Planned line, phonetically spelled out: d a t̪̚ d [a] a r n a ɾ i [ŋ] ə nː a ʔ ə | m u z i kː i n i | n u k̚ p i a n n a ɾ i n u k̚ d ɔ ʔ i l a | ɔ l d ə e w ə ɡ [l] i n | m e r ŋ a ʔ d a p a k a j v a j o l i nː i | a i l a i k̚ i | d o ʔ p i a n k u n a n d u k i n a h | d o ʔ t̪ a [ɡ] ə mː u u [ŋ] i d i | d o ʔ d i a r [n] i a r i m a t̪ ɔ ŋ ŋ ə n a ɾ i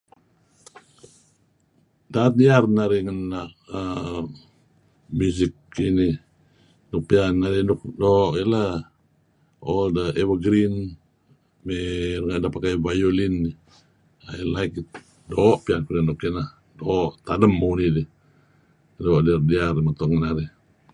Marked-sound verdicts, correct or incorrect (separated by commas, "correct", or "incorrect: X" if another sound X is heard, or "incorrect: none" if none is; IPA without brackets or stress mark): incorrect: i, correct, incorrect: ɾ, incorrect: d, incorrect: n, incorrect: d